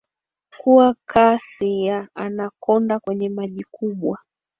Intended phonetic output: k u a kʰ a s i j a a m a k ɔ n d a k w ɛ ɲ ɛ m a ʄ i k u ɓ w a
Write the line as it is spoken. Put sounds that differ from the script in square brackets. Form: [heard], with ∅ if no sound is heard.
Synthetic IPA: k u a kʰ a s i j a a [n] a k ɔ n d a k w ɛ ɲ ɛ m a ʄ i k u ɓ w a